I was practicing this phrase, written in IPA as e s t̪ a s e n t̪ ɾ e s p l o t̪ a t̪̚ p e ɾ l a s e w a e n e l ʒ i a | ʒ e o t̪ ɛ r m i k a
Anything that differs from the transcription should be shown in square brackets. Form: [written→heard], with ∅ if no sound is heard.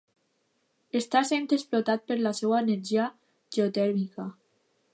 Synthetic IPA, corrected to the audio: e s t̪ a s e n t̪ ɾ e s p l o t̪ a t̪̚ p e ɾ l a s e w a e n e [l→ɾ] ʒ i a | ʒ e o t̪ ɛ [r→ɾ] m i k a